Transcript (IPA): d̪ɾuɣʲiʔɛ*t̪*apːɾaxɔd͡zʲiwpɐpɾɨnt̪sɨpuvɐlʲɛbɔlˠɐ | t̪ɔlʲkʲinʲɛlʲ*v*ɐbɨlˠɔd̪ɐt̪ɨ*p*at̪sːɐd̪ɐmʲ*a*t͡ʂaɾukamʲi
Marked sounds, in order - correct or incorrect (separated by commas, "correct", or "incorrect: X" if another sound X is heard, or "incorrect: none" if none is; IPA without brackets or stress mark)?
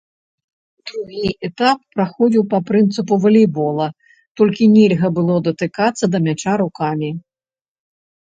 correct, incorrect: ɣ, incorrect: k, correct